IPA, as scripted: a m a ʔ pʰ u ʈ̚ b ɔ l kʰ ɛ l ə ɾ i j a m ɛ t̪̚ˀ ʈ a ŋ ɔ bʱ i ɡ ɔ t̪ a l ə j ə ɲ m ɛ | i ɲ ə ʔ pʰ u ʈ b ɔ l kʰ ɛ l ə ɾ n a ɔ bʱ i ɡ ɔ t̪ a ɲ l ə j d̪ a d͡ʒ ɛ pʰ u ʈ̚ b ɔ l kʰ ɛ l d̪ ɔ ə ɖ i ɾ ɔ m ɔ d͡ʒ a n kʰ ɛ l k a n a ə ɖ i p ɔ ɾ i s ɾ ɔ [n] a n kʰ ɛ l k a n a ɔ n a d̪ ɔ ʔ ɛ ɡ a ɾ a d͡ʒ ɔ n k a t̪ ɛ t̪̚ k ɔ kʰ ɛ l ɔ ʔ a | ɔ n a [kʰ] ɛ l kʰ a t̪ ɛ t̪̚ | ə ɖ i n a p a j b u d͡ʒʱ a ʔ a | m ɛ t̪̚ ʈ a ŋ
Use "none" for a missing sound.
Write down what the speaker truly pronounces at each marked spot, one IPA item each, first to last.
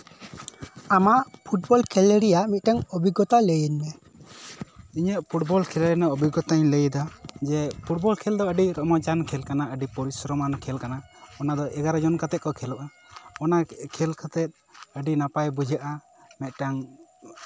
m, kʰ

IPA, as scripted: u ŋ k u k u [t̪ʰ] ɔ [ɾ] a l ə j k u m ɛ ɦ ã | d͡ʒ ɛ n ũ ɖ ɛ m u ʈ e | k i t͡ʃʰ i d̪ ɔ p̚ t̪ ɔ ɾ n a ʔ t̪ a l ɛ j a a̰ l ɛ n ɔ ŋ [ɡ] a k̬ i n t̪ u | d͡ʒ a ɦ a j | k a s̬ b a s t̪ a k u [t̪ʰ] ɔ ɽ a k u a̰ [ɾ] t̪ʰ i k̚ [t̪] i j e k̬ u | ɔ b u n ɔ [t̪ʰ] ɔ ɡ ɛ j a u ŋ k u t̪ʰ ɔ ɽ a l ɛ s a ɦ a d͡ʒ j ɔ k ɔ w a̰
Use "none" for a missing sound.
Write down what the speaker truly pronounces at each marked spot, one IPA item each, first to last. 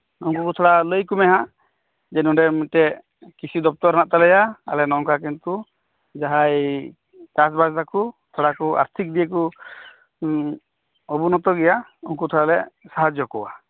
t̪ʰ, ɽ, k, t̪ʰ, ɾ, d̪, t̪

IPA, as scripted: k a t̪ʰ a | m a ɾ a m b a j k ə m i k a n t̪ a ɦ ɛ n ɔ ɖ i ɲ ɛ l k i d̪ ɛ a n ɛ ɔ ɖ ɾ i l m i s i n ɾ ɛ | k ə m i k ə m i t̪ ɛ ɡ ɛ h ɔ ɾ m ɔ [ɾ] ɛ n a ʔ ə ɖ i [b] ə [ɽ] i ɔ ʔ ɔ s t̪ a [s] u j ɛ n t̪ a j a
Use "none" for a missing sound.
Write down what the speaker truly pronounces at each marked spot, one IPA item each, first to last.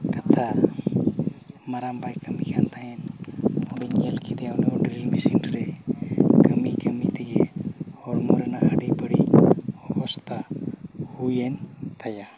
ɾ, b, ɽ, h

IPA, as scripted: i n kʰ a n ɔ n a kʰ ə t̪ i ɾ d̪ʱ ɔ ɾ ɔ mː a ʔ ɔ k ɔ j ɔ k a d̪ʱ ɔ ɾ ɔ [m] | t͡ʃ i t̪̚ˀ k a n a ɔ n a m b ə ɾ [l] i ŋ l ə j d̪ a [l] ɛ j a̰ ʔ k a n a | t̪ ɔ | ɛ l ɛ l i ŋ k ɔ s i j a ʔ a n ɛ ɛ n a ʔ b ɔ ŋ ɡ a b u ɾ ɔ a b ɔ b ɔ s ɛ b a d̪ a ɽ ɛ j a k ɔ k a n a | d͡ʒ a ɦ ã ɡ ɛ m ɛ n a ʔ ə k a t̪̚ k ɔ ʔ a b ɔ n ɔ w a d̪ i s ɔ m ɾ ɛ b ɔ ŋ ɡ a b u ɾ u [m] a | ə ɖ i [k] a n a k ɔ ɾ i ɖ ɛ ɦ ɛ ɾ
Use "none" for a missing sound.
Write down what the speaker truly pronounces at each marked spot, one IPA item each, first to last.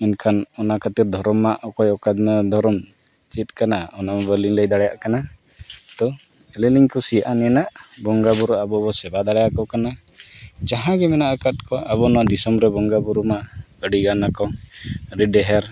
m, l, ɽ, m, ɡ

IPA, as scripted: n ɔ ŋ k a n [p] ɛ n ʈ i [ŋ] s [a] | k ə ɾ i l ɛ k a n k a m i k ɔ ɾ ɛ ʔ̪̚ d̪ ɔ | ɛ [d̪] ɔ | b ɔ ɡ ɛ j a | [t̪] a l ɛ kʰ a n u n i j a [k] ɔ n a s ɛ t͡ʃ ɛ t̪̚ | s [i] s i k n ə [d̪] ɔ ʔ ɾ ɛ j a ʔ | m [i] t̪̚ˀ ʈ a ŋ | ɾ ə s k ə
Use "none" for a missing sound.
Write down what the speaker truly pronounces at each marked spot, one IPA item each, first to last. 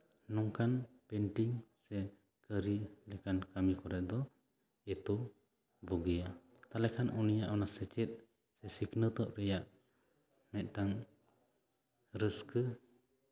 p, ŋ, ɛ, t̪, t̪, ʔ, ɛ, t̪, ɛ

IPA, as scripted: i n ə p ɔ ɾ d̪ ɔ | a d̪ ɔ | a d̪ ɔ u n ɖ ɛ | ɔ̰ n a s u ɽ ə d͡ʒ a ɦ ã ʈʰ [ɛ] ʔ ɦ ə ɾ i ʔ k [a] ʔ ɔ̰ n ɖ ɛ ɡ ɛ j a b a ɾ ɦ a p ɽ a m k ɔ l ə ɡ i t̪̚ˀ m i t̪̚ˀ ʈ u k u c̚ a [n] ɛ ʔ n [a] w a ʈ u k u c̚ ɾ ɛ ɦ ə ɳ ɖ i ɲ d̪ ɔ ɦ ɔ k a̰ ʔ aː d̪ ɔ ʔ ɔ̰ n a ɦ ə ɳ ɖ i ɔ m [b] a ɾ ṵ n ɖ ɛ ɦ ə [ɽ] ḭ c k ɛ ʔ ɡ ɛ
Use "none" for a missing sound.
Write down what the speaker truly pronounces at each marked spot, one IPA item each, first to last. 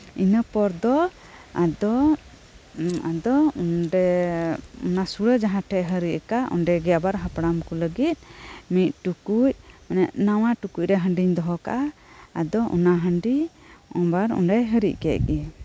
ɛ, a, n, a, b, ɾ

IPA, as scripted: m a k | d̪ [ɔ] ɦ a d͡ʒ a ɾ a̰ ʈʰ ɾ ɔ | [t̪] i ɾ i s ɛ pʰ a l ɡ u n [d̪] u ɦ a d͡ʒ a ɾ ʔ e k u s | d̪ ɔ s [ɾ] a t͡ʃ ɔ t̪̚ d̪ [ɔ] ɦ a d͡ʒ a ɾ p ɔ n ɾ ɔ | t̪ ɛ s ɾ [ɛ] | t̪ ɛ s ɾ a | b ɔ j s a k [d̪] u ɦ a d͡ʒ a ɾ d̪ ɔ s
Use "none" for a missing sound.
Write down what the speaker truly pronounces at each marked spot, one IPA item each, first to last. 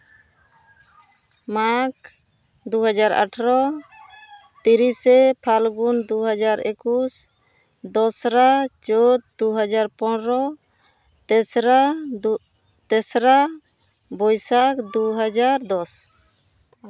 u, t̪, d̪, ɾ, u, a, d̪

